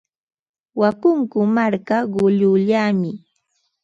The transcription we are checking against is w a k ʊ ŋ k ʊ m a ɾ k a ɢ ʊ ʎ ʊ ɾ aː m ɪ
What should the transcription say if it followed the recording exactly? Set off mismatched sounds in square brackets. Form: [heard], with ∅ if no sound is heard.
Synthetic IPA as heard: w a k ʊ ŋ k ʊ m a ɾ k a ɢ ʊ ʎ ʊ [ʎ] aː m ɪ